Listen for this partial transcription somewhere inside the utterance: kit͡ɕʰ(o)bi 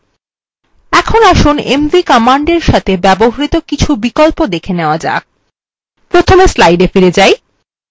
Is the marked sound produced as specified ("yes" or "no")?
no